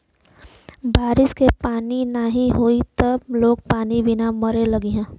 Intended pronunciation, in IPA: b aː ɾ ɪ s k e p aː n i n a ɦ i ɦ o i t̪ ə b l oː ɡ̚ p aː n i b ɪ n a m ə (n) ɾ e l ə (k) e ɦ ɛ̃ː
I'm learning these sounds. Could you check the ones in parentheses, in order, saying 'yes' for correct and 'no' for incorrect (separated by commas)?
no, no